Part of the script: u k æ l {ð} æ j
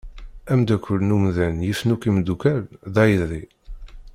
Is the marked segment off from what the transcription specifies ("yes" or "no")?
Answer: no